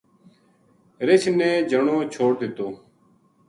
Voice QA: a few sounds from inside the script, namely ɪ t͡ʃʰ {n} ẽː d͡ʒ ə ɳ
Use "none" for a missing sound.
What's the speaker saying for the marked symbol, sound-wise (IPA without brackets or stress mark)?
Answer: n